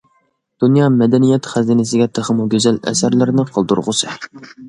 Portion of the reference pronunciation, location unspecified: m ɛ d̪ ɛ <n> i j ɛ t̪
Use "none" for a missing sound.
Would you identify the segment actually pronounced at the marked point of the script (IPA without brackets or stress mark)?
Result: n